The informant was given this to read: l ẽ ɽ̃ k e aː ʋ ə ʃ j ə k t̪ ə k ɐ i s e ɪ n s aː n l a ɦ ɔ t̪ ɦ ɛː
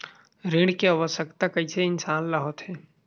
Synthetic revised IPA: ɾ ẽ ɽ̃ k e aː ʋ ə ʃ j ə k t̪ a k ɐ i s e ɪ n s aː n l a ɦ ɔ t̪ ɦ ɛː